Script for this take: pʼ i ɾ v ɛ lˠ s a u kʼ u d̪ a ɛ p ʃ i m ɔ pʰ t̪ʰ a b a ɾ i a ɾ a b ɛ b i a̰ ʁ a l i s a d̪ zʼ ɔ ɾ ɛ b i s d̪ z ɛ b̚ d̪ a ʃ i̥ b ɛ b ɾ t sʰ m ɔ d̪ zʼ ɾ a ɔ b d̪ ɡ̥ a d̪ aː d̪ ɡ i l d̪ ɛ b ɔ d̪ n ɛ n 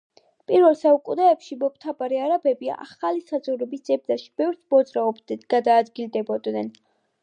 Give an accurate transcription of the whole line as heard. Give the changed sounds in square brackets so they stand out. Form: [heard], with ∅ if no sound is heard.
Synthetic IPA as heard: pʼ i ɾ v ɛ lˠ s a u kʼ u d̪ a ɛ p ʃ i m ɔ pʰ t̪ʰ a b a ɾ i a ɾ a b ɛ b i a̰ [χ] a l i s a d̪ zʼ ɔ ɾ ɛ b i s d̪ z ɛ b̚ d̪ a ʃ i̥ b ɛ [v] ɾ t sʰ m ɔ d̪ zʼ ɾ a ɔ b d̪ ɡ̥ a d̪ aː d̪ ɡ i l d̪ ɛ b ɔ d̪ n ɛ n